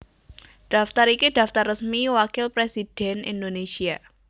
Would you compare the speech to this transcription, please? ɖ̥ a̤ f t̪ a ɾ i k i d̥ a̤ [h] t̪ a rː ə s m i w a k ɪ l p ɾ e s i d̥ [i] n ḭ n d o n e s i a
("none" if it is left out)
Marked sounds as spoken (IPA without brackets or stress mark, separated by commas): f, ɛ